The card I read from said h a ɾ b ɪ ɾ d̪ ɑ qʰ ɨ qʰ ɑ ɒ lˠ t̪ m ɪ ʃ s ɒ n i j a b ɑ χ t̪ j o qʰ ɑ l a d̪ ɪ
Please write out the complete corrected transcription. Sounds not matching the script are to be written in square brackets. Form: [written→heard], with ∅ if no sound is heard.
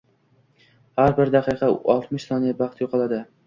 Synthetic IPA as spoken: h a ɾ b ɪ ɾ d̪ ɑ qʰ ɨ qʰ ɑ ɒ lˠ t̪ m ɪ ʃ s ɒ n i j a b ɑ χ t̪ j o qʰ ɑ l a d̪ ɪ